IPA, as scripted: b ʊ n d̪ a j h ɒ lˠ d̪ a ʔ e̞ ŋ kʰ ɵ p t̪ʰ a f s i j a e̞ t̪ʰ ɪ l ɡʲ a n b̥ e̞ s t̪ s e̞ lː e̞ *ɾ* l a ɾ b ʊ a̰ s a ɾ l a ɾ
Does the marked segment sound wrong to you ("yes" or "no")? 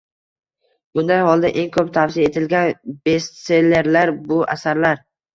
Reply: no